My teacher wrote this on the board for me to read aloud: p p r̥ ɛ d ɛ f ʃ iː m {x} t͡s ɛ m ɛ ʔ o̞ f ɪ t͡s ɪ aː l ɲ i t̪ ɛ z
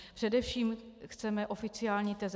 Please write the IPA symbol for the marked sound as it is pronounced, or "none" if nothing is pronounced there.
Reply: x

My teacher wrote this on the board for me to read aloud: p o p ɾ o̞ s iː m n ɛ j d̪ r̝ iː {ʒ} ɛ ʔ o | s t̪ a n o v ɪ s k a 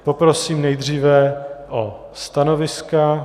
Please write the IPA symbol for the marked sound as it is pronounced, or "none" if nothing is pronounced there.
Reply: v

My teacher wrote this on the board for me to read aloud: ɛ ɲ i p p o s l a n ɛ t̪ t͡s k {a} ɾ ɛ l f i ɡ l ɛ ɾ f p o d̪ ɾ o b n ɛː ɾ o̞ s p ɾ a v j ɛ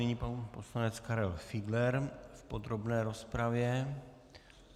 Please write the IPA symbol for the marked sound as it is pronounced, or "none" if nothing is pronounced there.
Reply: a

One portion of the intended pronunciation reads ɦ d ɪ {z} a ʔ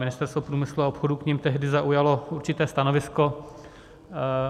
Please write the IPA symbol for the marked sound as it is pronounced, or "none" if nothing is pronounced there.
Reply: z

